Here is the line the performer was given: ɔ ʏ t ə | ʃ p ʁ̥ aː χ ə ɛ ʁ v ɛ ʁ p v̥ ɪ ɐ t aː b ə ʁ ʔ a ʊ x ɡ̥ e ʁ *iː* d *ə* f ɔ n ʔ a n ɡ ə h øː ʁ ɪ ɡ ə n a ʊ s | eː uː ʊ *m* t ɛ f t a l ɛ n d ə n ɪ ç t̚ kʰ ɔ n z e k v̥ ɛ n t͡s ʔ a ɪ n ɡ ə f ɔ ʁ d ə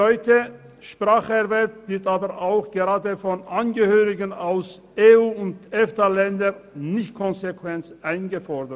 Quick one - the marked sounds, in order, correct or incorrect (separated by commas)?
incorrect, correct, incorrect